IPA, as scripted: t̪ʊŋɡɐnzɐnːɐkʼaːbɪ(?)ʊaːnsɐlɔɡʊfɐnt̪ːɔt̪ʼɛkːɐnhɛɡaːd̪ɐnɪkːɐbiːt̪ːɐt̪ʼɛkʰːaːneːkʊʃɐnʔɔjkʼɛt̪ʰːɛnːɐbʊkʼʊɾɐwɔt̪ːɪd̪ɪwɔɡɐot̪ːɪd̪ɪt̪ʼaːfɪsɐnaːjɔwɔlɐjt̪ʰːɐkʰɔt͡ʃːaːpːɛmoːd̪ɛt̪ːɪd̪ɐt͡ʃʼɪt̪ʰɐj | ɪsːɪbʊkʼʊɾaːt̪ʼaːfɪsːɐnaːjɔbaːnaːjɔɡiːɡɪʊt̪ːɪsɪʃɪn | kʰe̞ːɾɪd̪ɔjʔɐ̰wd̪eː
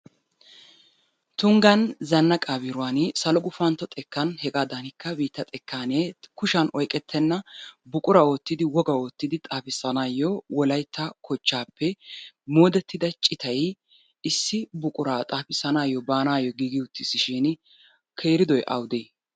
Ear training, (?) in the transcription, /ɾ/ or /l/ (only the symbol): ɾ